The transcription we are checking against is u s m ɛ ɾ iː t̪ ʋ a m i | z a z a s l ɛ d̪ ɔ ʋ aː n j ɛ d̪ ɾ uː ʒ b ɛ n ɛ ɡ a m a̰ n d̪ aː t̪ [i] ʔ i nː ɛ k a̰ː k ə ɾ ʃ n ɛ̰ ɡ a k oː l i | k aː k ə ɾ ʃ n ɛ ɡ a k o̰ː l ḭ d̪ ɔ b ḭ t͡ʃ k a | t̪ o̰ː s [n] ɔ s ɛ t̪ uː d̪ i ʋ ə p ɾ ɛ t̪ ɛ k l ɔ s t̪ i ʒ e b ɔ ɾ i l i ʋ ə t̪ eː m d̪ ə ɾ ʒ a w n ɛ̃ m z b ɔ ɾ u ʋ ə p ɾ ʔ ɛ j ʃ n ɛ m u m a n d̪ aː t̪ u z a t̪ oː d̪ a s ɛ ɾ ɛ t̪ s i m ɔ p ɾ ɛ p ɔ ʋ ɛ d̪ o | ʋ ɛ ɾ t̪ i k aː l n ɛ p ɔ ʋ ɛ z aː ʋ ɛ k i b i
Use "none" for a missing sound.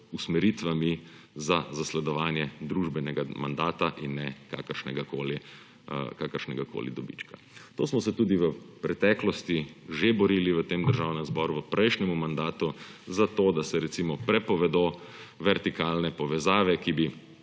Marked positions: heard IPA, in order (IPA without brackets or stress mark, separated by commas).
a, m